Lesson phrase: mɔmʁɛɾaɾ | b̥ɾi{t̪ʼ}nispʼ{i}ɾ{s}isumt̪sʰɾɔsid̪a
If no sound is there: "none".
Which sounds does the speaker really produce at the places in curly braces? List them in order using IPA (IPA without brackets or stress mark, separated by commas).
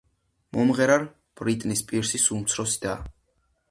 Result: t̪ʼ, i, s